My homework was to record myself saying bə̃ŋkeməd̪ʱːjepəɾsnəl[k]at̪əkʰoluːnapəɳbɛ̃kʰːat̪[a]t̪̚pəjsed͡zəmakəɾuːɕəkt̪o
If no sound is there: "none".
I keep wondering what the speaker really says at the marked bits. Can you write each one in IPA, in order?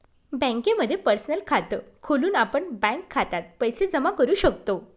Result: kʰ, a

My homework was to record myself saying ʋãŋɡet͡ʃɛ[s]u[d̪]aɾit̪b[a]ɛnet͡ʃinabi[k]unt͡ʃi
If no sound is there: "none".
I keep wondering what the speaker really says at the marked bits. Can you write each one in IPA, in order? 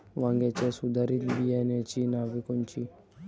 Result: s, d̪, i, k

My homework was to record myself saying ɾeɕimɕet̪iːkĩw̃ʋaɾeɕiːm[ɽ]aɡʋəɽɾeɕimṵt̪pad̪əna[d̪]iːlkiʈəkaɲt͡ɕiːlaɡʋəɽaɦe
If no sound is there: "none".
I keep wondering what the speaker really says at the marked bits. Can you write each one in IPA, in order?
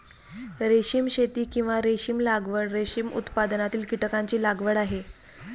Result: l, t̪

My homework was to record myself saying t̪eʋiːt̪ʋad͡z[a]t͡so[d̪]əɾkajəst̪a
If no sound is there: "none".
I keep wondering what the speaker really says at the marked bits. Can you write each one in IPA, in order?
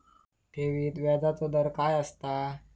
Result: a, d̪

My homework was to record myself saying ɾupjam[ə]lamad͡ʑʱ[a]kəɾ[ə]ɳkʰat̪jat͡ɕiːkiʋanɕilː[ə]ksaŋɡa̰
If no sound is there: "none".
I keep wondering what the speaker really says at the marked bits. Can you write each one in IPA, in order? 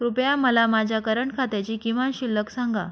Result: ə, a, ə, ə

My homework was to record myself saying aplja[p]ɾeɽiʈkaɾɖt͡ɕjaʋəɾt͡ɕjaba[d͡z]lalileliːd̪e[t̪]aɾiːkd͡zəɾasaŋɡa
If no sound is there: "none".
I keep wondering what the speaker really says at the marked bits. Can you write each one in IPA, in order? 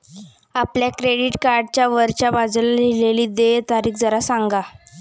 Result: k, d͡z, t̪

